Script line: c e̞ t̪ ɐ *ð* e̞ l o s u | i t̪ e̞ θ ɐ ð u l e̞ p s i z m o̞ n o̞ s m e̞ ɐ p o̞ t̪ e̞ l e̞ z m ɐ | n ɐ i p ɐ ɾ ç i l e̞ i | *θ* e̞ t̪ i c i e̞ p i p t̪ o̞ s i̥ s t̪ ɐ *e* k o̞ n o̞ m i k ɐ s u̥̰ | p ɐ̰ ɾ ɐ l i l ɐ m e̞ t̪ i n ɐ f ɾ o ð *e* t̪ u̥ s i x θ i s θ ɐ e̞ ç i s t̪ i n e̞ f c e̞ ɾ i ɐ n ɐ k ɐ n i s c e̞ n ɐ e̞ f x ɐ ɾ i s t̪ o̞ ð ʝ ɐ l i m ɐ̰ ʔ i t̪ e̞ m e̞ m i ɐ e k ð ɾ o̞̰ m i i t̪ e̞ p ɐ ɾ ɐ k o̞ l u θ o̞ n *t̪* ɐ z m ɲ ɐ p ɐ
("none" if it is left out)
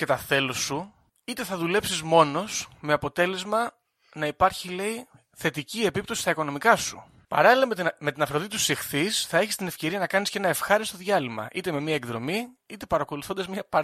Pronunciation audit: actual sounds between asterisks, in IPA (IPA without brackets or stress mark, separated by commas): θ, θ, i, i, d̪